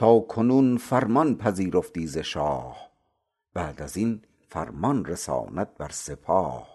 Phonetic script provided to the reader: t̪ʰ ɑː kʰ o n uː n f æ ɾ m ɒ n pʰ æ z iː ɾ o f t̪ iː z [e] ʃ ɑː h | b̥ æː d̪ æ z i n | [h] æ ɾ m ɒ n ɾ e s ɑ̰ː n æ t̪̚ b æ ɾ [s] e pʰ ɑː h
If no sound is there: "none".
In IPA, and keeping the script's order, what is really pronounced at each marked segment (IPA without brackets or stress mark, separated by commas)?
e, f, s